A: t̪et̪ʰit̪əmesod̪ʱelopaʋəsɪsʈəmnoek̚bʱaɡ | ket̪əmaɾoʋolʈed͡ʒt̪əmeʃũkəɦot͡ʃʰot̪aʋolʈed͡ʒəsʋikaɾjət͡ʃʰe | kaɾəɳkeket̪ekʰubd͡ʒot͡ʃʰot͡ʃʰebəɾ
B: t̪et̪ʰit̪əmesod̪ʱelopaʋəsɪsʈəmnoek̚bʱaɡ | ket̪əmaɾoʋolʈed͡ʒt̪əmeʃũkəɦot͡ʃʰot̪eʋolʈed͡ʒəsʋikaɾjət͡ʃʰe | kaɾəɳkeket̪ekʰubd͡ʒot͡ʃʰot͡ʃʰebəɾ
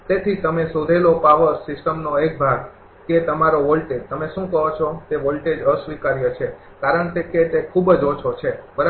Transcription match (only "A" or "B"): B